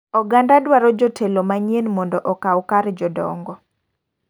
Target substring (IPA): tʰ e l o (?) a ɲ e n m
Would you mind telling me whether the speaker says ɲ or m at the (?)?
m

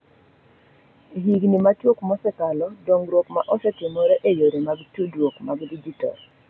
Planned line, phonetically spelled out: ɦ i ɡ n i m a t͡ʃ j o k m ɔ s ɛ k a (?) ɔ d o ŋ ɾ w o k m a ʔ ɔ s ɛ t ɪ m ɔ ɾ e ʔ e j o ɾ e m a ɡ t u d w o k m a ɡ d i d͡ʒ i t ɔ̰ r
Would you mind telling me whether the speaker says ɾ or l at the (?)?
l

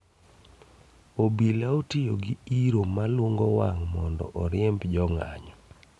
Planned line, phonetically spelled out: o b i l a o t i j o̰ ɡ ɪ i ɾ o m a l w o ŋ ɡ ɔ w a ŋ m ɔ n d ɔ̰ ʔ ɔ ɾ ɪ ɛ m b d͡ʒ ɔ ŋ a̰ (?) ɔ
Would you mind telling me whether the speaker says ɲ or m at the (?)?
ɲ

